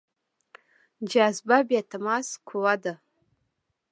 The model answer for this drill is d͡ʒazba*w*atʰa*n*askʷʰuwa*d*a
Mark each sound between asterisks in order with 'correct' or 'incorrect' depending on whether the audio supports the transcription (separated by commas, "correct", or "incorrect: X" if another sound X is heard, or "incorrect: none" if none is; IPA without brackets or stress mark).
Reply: incorrect: b, incorrect: m, correct